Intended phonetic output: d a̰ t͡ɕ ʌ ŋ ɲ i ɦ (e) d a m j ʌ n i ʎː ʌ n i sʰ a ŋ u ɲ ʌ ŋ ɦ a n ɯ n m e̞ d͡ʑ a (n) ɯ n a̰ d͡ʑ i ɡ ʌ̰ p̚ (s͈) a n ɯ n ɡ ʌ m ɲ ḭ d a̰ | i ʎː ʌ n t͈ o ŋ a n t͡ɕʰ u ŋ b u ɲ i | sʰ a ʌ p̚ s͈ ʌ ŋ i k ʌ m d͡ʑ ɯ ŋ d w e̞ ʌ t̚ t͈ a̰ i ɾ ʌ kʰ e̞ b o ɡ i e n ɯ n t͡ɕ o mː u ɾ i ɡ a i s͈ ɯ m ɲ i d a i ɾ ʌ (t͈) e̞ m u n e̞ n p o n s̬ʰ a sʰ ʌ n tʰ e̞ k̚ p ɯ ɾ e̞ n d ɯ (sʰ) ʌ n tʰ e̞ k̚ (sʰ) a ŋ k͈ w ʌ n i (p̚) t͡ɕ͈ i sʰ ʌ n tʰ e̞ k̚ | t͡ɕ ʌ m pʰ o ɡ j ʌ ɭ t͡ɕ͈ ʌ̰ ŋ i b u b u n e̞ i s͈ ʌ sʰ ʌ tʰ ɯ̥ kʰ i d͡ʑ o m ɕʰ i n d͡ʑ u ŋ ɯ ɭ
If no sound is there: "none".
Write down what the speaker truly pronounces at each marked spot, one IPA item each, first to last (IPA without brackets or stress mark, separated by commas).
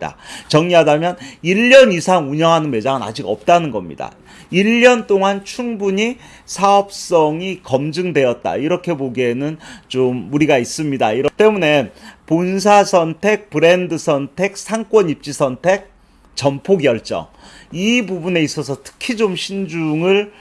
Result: a, ŋ, t͈, t͈, sʰ, sʰ, p̚